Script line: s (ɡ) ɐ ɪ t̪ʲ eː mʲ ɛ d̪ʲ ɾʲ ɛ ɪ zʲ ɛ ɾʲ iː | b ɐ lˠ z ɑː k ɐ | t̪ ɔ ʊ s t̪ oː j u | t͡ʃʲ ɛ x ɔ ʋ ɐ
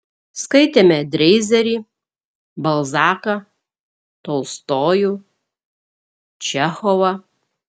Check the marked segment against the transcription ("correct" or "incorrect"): incorrect